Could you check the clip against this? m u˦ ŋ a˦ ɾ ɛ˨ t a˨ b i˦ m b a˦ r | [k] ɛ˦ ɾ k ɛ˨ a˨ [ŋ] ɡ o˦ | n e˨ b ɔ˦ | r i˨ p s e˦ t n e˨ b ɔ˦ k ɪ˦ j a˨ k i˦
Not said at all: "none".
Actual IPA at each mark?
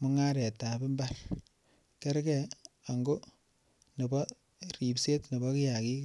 k, ŋ

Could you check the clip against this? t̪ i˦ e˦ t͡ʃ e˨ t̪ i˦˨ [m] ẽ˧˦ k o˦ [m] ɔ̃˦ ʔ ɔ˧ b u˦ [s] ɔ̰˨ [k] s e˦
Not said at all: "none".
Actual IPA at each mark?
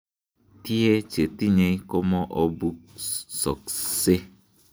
ɲ, m, s, k

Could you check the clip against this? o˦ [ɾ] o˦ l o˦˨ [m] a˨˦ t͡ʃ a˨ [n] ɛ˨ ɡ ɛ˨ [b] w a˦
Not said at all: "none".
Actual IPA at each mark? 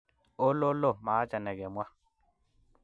l, m, n, m

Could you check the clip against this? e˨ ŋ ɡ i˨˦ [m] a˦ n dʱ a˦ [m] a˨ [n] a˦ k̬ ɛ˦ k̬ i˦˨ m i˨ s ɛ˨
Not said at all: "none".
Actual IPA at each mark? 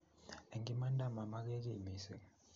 m, m, m

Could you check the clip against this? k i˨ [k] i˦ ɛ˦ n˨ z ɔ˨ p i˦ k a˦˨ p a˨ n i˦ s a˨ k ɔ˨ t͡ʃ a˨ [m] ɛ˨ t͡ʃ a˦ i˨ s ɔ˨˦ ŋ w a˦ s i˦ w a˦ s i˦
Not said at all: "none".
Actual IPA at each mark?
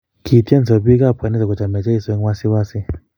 t, m

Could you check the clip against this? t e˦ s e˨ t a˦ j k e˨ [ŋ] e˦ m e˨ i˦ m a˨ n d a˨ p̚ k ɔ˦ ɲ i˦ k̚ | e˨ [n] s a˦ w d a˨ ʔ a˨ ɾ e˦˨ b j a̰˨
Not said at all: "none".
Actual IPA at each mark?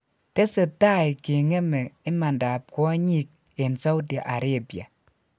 ŋ, n

